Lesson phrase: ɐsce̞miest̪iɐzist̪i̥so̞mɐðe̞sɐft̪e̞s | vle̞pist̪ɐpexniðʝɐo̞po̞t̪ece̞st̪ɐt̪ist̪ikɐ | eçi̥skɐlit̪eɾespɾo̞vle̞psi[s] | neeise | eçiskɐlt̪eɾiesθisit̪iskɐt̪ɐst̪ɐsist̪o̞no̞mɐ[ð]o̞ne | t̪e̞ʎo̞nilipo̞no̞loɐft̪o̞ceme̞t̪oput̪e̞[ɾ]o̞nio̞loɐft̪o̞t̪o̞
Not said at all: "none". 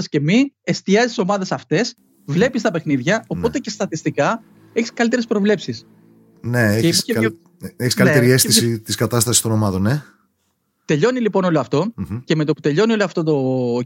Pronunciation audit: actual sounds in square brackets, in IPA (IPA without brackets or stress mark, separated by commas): s, ð, ʎ